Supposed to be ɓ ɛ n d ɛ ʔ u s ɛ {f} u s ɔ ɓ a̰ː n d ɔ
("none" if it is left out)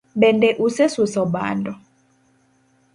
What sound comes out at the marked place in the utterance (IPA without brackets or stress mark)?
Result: s